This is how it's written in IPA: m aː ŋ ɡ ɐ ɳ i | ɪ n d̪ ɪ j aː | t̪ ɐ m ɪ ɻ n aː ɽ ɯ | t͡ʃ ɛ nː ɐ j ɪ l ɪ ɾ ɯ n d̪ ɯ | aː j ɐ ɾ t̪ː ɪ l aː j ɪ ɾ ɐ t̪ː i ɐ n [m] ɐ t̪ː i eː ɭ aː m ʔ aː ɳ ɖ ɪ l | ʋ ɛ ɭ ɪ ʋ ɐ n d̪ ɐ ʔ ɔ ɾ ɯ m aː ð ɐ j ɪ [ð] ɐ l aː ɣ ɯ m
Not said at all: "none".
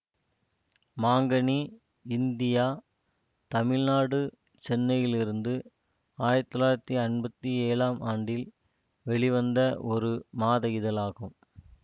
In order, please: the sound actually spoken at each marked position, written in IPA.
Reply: b, ð

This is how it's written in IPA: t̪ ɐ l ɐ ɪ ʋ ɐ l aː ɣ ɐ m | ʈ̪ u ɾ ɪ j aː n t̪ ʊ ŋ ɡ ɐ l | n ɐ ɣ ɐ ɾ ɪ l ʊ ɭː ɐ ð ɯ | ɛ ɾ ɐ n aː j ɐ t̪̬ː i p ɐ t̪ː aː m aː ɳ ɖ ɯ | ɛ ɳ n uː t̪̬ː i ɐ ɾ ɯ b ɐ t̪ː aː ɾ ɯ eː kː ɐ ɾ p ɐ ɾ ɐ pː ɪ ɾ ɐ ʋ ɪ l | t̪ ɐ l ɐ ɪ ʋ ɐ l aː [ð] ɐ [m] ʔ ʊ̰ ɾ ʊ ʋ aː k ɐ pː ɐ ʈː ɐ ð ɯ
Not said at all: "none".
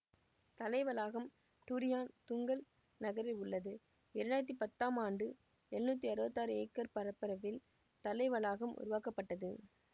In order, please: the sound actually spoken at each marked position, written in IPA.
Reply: ɣ, m

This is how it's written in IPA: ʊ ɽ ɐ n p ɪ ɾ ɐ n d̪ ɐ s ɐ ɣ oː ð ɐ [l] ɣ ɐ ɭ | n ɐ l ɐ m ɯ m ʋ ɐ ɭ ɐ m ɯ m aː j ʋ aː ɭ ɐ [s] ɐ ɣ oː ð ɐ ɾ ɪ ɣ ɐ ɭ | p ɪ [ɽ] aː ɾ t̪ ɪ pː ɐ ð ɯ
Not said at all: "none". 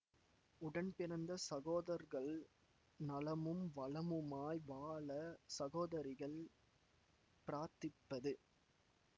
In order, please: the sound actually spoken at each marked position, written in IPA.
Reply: ɾ, s, ɾ

